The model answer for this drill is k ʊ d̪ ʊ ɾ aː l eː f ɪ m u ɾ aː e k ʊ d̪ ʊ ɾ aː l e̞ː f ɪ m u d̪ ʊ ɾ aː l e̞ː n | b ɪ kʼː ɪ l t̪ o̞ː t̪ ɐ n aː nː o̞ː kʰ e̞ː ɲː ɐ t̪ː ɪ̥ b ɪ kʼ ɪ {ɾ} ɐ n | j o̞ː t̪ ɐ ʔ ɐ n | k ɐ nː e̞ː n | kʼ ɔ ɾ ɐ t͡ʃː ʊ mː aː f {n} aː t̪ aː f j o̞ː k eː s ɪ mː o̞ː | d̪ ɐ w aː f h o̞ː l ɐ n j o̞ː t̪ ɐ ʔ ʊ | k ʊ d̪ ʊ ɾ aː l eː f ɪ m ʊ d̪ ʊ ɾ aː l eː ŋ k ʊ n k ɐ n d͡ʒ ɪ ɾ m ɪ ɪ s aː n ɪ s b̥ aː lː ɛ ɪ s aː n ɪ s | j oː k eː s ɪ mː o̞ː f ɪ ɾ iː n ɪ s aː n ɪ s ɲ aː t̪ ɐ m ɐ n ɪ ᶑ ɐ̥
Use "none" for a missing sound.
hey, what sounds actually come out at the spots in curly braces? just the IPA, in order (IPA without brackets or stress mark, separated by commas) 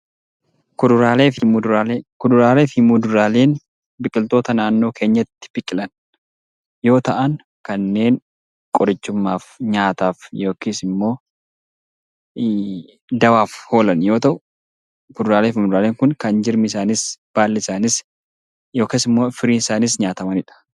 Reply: l, ɲ